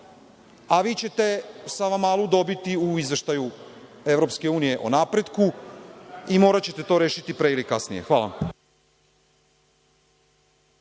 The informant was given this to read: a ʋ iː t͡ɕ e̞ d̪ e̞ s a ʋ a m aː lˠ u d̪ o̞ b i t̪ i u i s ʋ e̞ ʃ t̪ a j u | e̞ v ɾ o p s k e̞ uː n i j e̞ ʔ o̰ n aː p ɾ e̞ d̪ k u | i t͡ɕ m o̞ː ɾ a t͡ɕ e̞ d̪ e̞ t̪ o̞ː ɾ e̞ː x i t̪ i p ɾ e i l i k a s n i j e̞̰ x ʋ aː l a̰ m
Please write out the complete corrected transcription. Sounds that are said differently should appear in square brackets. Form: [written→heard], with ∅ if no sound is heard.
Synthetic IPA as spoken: a ʋ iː t͡ɕ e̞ [d̪→t̪] e̞ s a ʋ a m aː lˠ u d̪ o̞ b i t̪ i u i [s→z] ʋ e̞ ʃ t̪ a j u | e̞ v ɾ o p s k e̞ uː n i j e̞ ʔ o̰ n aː p ɾ e̞ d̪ k u | i [t͡ɕ→∅] m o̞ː ɾ a t͡ɕ e̞ [d̪→t̪] e̞ t̪ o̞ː ɾ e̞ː [x→ʃ] i t̪ i p ɾ e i l i k a s n i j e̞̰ x ʋ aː l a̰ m